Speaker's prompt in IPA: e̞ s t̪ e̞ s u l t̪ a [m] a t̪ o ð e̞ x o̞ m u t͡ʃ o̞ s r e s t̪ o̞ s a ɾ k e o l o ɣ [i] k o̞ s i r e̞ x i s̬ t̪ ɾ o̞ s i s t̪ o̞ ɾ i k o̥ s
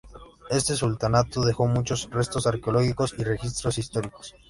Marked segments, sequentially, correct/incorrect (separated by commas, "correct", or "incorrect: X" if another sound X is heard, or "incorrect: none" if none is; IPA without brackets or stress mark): incorrect: n, correct